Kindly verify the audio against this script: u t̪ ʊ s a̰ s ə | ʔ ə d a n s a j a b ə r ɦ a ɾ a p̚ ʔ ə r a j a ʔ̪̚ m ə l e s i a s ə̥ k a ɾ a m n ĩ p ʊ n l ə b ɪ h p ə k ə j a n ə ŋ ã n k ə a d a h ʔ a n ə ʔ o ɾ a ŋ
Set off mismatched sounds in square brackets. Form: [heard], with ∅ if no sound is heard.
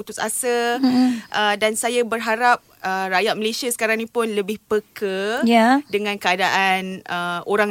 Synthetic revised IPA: u t̪ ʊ s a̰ s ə | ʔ ə d a n s a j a b ə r ɦ a ɾ a p̚ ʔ ə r a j a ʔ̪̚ m ə l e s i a s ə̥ k a ɾ a [ŋ] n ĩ p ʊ n l ə b ɪ h p ə k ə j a [d] ə ŋ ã n k ə a d a [∅] ʔ a n ə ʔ o ɾ a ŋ